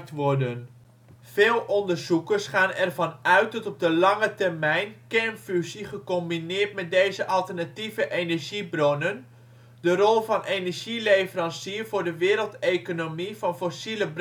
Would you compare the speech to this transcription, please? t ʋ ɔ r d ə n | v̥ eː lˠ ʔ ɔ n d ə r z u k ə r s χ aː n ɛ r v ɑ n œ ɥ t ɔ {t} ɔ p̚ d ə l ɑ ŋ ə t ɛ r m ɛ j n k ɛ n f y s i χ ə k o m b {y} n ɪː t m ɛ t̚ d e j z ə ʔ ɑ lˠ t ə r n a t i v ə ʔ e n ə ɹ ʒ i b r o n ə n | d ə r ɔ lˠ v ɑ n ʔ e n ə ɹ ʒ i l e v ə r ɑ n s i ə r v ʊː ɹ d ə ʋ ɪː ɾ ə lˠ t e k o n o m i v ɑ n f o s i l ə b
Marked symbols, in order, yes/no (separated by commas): yes, no